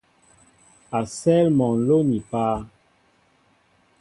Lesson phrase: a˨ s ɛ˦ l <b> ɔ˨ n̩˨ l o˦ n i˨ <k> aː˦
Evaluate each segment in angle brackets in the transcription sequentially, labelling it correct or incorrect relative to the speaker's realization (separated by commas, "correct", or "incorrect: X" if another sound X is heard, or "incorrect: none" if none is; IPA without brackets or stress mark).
incorrect: m, incorrect: p